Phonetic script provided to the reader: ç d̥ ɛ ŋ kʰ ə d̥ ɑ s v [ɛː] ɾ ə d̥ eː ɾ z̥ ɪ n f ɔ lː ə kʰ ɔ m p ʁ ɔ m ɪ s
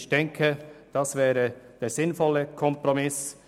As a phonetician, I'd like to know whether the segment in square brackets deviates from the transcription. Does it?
no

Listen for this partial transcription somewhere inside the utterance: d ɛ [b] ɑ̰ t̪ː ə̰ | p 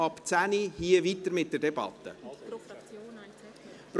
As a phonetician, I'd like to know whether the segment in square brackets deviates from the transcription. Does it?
no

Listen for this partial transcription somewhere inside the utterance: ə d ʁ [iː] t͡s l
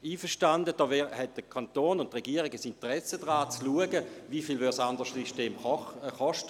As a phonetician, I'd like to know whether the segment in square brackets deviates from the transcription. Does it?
yes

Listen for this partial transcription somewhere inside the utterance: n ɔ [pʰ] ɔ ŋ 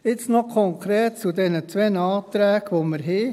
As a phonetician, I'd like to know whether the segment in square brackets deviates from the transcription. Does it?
yes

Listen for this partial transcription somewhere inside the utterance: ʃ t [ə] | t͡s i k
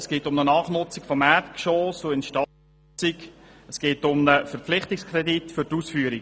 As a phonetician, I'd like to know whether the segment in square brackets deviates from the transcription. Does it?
yes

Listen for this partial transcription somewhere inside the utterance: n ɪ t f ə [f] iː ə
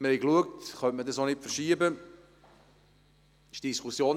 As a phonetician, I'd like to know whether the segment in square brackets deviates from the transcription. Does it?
yes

